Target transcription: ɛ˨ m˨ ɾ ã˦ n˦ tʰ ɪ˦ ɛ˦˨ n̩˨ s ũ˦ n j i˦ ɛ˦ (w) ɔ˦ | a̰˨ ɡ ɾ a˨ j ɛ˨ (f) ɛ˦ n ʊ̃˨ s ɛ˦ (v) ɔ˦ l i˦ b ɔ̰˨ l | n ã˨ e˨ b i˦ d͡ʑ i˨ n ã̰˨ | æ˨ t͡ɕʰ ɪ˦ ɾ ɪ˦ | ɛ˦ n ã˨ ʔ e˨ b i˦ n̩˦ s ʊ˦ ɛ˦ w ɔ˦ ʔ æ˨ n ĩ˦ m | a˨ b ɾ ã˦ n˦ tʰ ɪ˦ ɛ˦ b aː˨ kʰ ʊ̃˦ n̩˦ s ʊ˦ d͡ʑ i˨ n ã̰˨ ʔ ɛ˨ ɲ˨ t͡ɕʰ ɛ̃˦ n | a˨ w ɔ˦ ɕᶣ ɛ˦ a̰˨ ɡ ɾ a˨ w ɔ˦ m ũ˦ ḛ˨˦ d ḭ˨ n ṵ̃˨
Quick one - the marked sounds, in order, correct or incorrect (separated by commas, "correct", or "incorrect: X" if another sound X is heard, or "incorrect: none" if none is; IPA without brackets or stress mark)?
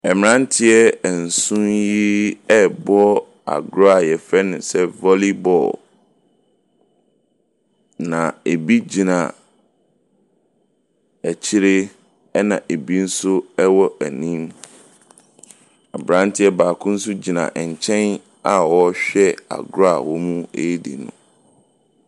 incorrect: b, correct, correct